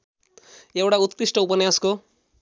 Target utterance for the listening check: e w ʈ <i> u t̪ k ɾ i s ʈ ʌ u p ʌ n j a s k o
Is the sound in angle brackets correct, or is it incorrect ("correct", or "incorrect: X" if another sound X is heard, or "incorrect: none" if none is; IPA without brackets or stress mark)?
incorrect: a